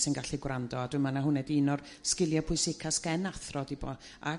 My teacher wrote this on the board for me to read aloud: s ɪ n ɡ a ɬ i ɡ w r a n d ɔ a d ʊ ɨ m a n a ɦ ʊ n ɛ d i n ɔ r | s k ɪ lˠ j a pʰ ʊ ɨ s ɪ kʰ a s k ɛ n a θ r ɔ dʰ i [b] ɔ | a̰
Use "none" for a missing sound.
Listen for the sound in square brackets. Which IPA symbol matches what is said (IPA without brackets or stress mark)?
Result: b